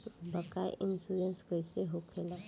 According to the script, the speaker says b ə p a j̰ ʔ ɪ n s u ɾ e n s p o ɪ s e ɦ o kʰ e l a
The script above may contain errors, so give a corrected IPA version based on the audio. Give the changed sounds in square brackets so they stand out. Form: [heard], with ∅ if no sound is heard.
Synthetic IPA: b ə [k] a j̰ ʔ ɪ n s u ɾ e n s [k] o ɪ s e ɦ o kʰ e l a

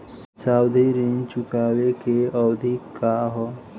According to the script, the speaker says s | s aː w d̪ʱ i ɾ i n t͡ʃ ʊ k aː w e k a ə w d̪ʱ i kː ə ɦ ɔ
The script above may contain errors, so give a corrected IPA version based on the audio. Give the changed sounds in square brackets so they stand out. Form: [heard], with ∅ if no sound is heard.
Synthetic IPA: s | s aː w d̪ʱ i ɾ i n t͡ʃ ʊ k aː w e k [e] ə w d̪ʱ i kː [a] ɦ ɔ

